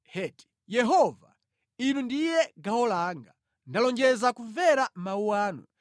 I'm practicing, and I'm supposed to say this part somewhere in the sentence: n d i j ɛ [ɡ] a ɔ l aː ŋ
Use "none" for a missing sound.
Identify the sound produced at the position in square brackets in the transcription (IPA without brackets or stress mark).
ɡ